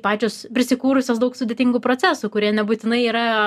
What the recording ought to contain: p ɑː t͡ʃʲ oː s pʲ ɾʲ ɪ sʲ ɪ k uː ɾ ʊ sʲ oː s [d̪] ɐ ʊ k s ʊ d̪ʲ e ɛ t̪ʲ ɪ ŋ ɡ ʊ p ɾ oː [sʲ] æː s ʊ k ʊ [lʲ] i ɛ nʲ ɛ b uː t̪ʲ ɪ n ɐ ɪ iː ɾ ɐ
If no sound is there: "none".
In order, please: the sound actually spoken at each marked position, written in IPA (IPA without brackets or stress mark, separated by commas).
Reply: d̪, t͡sʲ, ɾʲ